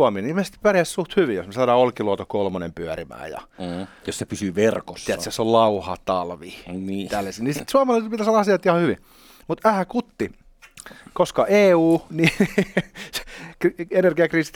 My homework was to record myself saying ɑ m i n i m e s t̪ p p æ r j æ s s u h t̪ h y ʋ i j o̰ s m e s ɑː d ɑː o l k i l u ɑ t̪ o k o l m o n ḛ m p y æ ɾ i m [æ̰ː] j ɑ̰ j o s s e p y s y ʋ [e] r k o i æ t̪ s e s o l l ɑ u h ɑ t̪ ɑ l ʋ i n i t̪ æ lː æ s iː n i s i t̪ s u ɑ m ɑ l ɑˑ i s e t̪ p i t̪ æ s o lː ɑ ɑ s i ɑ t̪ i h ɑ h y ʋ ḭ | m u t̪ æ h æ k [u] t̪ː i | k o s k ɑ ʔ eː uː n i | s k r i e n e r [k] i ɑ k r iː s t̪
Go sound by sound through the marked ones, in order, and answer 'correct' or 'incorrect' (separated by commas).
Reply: correct, correct, correct, incorrect